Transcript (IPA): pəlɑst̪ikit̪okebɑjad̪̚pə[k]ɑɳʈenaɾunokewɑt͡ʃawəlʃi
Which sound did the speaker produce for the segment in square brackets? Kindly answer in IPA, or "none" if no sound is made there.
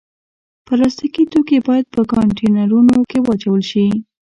k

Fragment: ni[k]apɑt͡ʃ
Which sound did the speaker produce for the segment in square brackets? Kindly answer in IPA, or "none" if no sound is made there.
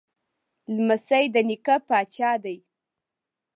k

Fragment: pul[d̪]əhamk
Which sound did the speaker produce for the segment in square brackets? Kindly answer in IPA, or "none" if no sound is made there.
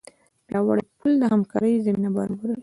d̪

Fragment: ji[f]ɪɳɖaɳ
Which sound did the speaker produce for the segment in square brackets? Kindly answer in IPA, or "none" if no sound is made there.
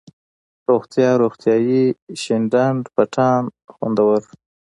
ʃ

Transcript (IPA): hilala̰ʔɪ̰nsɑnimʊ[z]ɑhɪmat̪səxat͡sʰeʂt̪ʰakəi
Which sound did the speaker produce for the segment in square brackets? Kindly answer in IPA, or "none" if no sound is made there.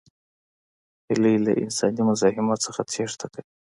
z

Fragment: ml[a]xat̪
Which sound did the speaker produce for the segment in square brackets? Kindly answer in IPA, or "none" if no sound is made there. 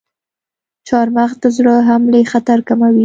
e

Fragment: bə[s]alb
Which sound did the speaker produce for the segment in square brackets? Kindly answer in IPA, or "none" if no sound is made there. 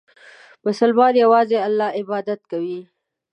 s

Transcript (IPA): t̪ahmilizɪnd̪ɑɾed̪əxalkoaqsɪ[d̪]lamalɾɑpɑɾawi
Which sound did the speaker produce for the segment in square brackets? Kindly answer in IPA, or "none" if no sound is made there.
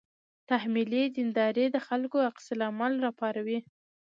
none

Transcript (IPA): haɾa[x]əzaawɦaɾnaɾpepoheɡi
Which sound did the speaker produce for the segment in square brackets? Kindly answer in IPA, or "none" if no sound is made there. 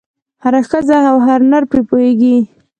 x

